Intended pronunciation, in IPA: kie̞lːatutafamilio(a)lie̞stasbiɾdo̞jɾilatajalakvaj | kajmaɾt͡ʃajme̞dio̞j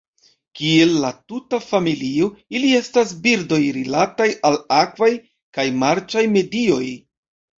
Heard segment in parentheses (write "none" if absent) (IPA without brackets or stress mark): i